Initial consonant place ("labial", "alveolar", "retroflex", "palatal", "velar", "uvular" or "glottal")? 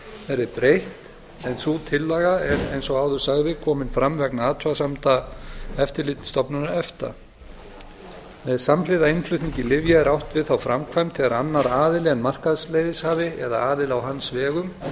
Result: alveolar